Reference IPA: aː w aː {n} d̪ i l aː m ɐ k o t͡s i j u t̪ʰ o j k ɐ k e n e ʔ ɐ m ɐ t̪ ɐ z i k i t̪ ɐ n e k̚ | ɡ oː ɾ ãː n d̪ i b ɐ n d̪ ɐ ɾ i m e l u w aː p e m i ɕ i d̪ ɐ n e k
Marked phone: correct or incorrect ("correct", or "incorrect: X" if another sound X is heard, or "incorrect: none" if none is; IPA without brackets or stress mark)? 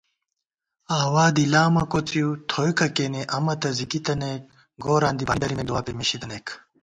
incorrect: none